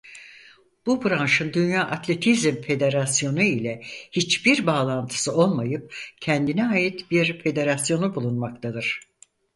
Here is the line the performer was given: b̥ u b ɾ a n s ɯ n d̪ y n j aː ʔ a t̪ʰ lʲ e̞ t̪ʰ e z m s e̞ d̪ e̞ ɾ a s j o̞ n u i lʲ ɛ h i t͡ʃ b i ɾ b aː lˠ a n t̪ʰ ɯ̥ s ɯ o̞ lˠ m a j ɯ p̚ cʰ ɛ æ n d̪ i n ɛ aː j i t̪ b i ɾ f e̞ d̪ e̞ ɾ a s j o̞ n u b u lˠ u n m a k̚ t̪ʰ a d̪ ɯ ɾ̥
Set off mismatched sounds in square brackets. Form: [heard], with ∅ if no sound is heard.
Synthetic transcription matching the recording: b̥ u b ɾ a n [ʃ] ɯ n d̪ y n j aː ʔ a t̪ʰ lʲ e̞ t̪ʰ [i] z m [f] e̞ d̪ e̞ ɾ a s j o̞ n u i lʲ ɛ h i t͡ʃ b i ɾ b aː lˠ a n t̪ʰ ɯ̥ s ɯ o̞ lˠ m a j ɯ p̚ cʰ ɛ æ n d̪ i n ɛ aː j i t̪ b i ɾ f e̞ d̪ e̞ ɾ a s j o̞ n u b u lˠ u n m a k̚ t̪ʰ a d̪ ɯ ɾ̥